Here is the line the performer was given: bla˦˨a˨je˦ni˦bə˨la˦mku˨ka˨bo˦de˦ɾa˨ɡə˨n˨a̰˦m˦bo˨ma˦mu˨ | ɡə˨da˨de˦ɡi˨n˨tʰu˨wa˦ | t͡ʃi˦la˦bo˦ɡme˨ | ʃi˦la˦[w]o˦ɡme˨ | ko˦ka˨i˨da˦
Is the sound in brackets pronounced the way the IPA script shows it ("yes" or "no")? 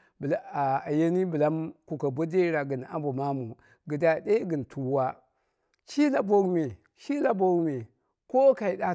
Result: no